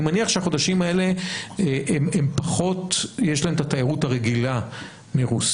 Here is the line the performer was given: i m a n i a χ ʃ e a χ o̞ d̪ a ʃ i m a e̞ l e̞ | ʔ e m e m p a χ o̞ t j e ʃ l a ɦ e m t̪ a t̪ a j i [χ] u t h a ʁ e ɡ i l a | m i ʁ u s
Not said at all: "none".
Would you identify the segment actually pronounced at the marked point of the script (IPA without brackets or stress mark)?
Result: ʁ